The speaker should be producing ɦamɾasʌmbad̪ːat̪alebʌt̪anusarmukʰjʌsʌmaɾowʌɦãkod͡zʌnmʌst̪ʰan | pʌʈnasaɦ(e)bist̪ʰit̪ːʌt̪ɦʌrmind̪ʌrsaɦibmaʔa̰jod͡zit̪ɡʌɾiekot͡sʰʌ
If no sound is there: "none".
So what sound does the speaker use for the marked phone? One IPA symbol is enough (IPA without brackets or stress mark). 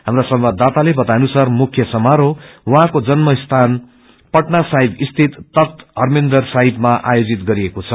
i